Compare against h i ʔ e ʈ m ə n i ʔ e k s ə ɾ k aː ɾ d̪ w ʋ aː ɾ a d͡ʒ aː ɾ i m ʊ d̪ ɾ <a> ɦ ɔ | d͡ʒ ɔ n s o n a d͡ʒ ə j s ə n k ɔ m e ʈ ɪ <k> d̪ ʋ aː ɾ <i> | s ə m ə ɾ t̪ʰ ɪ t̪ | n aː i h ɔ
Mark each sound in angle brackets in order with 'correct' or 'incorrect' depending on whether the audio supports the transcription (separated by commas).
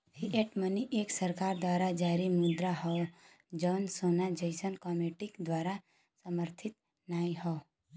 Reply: correct, correct, incorrect